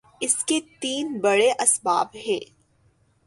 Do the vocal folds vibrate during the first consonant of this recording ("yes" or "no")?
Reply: no